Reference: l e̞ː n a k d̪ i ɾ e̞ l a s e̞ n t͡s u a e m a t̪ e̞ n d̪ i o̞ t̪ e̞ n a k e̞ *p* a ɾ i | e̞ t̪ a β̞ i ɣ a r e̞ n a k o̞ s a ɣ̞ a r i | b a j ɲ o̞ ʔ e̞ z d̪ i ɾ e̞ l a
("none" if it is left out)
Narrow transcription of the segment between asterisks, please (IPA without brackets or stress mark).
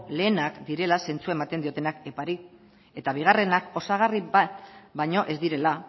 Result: p